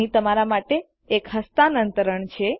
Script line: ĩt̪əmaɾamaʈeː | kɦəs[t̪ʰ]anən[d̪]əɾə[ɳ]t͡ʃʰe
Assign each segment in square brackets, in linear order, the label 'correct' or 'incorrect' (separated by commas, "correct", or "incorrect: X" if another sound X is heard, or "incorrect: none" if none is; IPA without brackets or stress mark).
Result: incorrect: t̪, incorrect: t̪, correct